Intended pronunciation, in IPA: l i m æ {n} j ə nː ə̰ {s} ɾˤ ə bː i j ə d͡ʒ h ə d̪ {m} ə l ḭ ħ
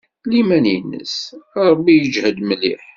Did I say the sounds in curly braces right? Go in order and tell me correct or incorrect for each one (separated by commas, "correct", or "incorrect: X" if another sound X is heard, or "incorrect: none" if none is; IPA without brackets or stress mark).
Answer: correct, correct, correct